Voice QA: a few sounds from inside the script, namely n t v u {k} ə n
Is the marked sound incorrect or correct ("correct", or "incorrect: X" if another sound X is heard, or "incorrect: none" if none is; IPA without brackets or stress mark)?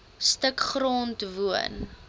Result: incorrect: none